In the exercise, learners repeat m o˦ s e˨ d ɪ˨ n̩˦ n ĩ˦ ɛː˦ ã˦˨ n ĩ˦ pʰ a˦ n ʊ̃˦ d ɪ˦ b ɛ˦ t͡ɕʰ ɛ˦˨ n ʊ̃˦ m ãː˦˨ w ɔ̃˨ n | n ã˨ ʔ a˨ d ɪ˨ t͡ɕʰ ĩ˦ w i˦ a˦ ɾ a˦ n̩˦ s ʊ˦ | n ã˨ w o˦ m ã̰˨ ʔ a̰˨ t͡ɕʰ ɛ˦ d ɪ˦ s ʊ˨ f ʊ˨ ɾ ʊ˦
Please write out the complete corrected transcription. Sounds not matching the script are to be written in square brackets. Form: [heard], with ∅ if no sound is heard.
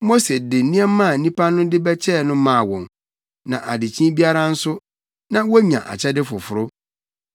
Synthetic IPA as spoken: m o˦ s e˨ d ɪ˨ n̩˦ n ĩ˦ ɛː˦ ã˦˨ n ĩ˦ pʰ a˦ n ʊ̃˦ d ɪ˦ b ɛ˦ t͡ɕʰ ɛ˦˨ n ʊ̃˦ m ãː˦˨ w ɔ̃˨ n | n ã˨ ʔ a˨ d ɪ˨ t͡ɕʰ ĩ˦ [b] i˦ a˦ ɾ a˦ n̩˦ s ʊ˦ | n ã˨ w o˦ [ɲ] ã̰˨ ʔ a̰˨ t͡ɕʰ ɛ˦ d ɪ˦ [f] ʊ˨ f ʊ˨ ɾ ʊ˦